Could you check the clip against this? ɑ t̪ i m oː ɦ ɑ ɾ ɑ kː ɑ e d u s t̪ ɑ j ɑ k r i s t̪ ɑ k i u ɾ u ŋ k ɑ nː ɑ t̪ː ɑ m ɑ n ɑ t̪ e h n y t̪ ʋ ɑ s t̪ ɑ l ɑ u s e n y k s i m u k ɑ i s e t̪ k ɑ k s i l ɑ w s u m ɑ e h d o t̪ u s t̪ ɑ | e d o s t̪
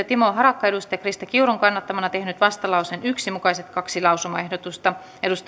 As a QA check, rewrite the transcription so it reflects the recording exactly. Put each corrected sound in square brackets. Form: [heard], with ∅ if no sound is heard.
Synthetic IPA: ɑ t̪ i m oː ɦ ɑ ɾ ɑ kː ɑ e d u s t̪ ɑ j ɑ k r i s t̪ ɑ k i u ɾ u ŋ k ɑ nː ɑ t̪ː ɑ m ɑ n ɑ t̪ e h n y t̪ ʋ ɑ s t̪ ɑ l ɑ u s e n y k s i m u k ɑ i s e t̪ k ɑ k s i l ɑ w s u m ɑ e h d o t̪ u s t̪ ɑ | e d [u] s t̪